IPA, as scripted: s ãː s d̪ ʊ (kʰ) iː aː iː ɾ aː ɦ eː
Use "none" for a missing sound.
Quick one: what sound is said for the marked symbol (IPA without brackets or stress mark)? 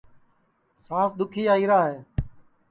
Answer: kʰ